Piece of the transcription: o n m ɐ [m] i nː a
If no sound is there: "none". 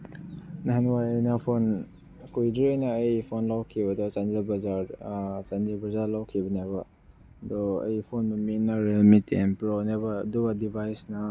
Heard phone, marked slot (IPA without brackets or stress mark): m